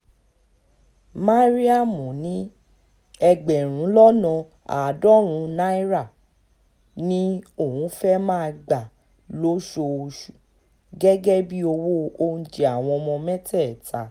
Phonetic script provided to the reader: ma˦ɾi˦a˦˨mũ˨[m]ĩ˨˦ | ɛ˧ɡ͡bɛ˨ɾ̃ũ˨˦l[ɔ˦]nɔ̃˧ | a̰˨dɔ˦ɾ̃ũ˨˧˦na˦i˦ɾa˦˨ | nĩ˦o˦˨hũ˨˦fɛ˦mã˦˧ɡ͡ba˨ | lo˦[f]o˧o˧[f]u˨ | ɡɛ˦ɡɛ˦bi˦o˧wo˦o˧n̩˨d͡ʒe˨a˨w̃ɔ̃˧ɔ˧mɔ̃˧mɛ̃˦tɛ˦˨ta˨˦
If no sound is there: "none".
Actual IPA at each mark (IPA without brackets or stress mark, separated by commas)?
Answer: n, ɔ˦, ʃ, ʃ